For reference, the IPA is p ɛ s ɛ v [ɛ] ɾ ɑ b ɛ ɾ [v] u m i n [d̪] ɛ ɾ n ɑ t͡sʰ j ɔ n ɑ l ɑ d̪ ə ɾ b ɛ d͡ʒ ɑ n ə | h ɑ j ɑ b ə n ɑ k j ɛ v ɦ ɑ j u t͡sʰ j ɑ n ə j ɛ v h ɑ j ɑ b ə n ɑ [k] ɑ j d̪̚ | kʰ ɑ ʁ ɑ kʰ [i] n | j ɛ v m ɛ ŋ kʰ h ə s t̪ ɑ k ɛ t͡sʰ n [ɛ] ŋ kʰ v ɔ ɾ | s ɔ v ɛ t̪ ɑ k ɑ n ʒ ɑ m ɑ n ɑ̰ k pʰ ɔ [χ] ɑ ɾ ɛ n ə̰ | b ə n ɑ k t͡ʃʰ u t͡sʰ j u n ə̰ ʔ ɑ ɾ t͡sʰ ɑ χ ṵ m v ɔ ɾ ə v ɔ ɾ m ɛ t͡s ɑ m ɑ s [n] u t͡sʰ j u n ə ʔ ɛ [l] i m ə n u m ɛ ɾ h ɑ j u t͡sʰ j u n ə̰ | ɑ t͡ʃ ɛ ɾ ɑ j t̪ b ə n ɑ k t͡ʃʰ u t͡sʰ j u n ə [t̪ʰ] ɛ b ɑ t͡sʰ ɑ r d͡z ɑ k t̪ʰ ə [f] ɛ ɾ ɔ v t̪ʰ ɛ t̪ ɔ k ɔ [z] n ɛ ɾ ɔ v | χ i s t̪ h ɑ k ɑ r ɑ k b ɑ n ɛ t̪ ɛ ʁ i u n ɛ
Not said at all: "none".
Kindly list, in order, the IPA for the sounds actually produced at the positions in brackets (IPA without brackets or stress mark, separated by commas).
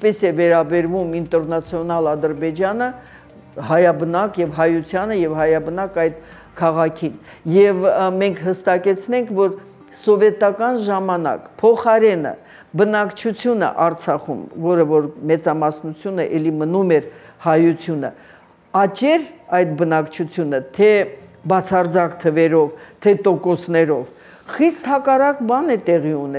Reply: ɛ, v, t̪, k, i, ɛ, χ, n, l, t̪ʰ, v, s